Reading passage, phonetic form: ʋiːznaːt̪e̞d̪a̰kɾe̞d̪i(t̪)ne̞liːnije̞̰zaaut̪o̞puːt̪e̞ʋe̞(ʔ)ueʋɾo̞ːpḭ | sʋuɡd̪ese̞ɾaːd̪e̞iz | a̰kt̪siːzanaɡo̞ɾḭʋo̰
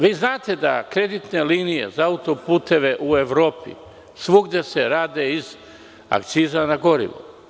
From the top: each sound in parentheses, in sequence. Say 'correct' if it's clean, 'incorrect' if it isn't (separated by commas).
correct, correct